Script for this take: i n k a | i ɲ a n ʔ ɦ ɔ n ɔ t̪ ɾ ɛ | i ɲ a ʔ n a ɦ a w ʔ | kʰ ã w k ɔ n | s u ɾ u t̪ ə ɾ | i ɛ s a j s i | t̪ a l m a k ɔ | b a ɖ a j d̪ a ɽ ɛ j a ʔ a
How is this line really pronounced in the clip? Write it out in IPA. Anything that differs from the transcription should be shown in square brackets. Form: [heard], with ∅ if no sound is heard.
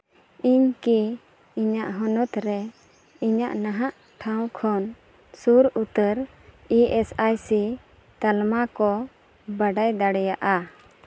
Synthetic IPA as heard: i [ɲ] k [i] | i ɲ a [∅] ʔ ɦ ɔ n ɔ t̪ ɾ ɛ | i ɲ a ʔ n a ɦ a [∅] ʔ | [ʈʰ] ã w [kʰ] ɔ n | s u ɾ u t̪ ə ɾ | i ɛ s a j s i | t̪ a l m a k ɔ | b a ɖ a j d̪ a ɽ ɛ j a ʔ a